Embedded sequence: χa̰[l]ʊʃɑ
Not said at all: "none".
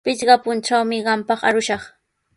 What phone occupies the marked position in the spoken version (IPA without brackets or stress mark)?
ɾ